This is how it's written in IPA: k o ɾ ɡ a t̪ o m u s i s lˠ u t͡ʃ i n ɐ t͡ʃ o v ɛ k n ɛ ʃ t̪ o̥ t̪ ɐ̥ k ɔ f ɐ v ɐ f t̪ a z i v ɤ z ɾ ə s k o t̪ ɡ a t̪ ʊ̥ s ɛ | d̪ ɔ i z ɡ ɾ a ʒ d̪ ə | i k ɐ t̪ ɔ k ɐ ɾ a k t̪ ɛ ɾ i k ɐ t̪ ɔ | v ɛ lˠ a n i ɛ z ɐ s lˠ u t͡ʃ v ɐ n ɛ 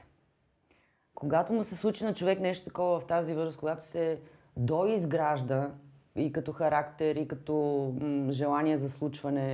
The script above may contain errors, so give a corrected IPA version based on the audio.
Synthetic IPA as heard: k o ɡ a t̪ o m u s ɛ s lˠ u t͡ʃ i n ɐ t͡ʃ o v ɛ k n ɛ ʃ t̪ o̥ t̪ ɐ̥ k ɔ v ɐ v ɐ f t̪ a z i v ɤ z ɾ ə s k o ɡ a t̪ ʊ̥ s ɛ | d̪ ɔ i z ɡ ɾ a ʒ d̪ ə | i k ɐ t̪ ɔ x ɐ ɾ a k t̪ ɛ ɾ i k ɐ t̪ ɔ | ʒ ɛ lˠ a n i ɛ z ɐ s lˠ u t͡ʃ v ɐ n ɛ